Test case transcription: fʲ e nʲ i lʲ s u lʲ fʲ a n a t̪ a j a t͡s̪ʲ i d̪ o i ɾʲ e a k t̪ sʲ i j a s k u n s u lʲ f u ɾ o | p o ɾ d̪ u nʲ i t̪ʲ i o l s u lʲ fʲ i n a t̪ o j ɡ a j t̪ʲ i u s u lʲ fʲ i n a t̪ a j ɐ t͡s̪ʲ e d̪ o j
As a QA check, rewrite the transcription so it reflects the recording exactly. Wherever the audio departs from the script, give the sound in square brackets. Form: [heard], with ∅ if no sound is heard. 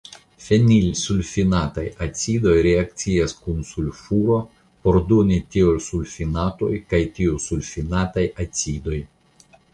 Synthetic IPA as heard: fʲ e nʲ i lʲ s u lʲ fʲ [i] n a t̪ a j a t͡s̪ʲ i d̪ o [j] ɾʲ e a k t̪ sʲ i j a s k u n s u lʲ f u ɾ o | p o ɾ d̪ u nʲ i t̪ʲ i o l s u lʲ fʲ i n a t̪ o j [k] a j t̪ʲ i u s u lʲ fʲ i n a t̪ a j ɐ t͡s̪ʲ [i] d̪ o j